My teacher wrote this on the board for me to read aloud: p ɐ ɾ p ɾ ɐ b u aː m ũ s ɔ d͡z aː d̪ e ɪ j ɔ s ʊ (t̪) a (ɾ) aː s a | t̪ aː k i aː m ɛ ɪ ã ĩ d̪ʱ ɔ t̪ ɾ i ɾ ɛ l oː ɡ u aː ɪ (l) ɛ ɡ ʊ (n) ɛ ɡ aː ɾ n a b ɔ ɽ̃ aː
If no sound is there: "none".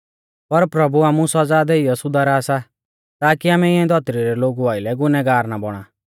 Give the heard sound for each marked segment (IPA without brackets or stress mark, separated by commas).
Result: d̪, ɾ, l, n